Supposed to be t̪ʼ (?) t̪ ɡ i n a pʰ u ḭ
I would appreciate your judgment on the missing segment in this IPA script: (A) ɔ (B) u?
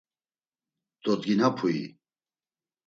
A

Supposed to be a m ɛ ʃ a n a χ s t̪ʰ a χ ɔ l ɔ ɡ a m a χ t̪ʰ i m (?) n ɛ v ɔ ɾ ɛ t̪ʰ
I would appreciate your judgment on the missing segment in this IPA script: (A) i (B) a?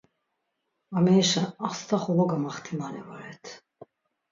B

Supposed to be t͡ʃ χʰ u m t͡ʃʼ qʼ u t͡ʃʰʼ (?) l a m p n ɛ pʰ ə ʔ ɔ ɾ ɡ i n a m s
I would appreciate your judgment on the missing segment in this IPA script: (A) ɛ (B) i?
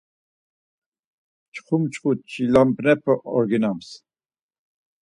B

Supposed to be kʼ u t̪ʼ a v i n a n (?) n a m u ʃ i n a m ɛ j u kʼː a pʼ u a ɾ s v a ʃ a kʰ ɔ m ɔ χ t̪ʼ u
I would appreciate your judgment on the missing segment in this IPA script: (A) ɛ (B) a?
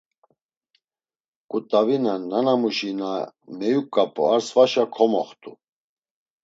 B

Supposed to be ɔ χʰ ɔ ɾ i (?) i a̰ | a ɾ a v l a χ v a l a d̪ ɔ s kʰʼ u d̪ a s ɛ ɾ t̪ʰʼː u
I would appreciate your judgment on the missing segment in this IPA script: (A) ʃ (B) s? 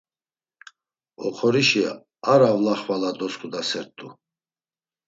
A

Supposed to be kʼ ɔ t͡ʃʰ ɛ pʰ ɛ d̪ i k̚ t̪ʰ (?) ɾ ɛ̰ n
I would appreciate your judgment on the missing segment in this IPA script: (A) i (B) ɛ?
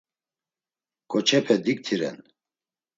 A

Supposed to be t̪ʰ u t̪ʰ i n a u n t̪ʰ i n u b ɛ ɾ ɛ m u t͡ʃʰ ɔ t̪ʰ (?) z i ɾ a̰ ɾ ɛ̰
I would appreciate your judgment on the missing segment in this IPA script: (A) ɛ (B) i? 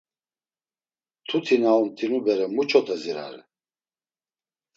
A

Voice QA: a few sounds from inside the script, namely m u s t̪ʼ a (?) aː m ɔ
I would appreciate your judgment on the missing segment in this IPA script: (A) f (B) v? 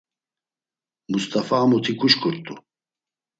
A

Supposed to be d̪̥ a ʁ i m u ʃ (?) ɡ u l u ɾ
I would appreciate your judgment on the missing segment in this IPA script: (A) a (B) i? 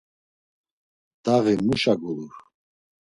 A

